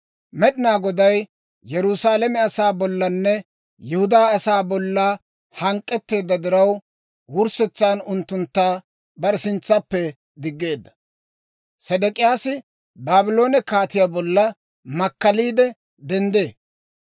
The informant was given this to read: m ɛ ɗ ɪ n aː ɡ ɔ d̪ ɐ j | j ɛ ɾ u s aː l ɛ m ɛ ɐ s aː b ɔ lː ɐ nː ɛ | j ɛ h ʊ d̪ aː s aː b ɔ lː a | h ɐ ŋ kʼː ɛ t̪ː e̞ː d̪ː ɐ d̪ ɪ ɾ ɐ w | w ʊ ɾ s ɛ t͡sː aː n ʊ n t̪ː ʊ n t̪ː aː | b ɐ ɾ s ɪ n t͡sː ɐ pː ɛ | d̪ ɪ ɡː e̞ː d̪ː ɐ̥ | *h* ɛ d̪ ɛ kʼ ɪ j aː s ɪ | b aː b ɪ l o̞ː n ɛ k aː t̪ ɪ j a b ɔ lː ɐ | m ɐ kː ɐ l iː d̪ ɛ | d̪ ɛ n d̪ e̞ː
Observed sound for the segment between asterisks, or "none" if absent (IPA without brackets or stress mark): s